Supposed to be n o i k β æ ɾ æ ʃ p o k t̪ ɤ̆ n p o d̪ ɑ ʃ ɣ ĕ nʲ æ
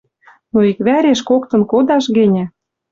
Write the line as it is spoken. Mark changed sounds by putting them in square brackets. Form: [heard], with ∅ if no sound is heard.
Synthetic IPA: n o i k β æ ɾ [e] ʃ [k] o k t̪ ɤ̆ n [k] o d̪ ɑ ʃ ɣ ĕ nʲ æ